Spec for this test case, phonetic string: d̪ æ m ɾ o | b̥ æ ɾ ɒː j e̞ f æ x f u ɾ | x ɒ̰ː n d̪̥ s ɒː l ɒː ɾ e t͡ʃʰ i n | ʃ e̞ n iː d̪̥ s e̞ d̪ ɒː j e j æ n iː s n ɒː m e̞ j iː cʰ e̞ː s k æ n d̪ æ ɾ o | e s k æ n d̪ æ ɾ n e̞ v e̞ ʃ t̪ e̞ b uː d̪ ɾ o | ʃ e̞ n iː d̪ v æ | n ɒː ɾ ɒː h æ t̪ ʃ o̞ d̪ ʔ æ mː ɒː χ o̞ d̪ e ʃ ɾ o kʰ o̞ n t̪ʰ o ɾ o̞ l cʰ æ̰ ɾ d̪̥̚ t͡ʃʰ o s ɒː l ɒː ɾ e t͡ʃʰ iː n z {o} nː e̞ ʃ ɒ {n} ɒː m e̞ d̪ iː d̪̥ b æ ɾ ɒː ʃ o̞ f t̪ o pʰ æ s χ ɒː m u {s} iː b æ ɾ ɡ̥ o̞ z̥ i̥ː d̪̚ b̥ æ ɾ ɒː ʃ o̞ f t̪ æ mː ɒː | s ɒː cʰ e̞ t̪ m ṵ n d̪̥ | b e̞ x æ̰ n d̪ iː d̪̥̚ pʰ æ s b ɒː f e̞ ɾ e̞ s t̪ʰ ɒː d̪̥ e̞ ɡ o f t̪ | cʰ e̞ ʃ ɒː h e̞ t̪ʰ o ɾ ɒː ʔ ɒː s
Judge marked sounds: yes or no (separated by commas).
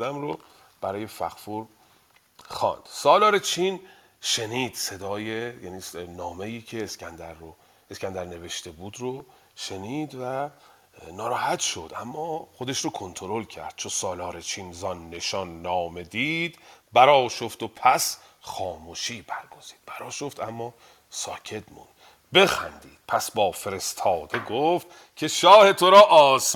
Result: no, no, no